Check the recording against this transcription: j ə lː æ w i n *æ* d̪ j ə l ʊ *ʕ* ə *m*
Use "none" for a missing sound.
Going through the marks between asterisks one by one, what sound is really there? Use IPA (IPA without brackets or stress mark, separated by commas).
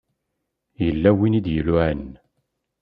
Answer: i, ʕ, n